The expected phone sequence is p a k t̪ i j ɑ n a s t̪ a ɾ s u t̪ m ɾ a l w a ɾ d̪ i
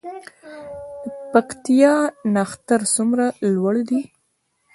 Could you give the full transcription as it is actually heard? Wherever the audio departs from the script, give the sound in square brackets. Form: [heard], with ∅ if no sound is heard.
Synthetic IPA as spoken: p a k t̪ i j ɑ n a [x] t̪ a ɾ s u [∅] m ɾ a l w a [ɽ] d̪ i